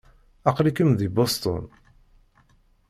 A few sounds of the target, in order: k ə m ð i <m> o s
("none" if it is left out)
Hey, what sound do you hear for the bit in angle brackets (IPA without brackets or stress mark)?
b